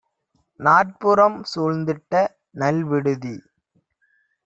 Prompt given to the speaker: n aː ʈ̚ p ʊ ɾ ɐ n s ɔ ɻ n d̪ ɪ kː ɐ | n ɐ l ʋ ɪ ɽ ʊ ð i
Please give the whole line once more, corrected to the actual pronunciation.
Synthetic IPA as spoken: n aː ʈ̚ p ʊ ɾ ɐ m s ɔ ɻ n d̪ ɪ ʈː ɐ | n ɐ l ʋ ɪ ɽ ɯ ð i